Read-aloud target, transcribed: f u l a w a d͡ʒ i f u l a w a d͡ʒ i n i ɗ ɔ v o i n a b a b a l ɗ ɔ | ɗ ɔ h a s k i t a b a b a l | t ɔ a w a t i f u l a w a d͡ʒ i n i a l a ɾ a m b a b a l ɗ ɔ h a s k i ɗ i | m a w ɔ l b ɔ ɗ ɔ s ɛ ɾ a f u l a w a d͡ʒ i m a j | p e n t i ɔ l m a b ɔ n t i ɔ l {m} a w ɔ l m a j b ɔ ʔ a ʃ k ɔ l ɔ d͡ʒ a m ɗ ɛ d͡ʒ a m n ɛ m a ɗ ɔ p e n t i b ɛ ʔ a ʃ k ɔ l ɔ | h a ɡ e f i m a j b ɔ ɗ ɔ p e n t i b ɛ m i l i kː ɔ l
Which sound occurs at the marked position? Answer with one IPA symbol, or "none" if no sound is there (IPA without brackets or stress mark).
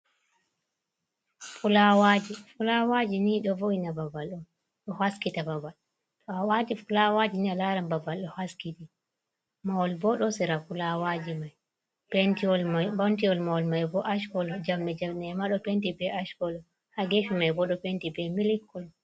m